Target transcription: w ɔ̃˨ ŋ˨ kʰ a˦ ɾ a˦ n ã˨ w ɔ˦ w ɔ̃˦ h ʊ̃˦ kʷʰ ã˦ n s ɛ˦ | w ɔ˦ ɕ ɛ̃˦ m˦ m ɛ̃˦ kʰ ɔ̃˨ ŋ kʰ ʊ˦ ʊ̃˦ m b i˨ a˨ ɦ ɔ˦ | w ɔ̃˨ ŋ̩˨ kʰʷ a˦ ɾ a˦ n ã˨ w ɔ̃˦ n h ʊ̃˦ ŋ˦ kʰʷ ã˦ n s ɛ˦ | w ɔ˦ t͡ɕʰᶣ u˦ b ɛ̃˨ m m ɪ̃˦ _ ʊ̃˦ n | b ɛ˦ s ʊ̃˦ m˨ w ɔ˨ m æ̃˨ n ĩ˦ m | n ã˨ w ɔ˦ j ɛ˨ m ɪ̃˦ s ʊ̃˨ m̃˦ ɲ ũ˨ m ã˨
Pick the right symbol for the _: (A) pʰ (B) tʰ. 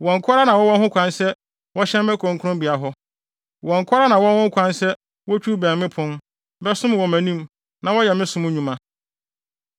A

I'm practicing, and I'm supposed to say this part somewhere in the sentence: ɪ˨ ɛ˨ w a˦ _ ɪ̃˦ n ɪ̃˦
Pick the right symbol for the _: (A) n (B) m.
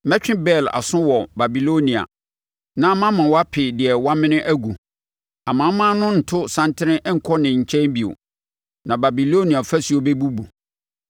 B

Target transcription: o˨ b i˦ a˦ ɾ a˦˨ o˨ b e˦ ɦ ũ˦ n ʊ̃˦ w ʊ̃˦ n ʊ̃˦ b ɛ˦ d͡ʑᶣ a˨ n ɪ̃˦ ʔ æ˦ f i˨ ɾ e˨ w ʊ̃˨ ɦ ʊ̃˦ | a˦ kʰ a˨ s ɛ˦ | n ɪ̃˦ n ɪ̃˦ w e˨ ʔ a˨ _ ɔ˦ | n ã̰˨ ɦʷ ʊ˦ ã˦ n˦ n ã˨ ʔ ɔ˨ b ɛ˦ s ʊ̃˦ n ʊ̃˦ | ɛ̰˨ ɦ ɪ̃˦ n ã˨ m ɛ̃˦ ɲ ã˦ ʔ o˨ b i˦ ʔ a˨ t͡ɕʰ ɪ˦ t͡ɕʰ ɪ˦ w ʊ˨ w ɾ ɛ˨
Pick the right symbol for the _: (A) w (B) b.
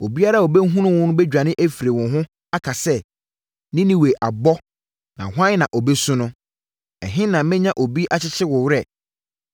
B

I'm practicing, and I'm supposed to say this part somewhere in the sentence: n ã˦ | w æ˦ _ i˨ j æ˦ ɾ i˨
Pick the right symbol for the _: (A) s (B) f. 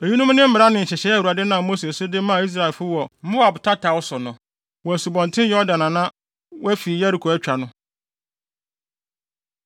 B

